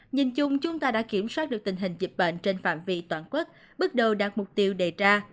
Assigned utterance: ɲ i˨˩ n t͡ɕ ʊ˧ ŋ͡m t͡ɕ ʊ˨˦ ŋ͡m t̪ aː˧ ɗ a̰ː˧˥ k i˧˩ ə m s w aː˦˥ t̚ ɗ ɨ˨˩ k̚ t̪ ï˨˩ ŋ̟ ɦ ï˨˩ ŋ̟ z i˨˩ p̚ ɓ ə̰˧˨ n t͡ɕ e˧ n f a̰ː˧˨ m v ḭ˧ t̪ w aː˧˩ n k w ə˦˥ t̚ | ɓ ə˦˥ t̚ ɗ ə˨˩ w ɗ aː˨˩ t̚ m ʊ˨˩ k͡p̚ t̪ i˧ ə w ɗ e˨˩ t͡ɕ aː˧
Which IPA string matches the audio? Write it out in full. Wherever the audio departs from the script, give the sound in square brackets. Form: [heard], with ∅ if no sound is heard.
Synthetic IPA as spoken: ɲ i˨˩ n t͡ɕ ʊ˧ ŋ͡m t͡ɕ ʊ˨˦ ŋ͡m t̪ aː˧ ɗ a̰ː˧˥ k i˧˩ ə m s w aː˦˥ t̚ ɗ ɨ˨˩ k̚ t̪ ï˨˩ ŋ̟ ɦ ï˨˩ ŋ̟ z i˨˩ p̚ ɓ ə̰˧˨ n t͡ɕ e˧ n f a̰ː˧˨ m v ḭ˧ t̪ w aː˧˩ n k w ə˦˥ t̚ | ɓ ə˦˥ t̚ ɗ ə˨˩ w ɗ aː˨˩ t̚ m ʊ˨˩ k͡p̚ t̪ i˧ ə w ɗ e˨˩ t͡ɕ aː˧